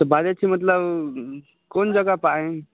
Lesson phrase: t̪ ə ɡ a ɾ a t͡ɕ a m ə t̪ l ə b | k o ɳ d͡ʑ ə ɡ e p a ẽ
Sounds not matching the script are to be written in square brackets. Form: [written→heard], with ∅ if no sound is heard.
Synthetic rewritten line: t̪ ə [ɡ→b] a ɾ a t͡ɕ [a→i] m ə t̪ l ə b | k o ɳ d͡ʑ ə ɡ [e→a] p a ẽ